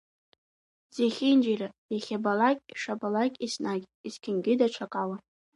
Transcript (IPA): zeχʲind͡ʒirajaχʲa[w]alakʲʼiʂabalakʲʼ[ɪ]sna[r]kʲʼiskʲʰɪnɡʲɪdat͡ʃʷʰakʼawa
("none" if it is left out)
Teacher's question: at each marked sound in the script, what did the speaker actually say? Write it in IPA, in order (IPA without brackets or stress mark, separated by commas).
b, i, none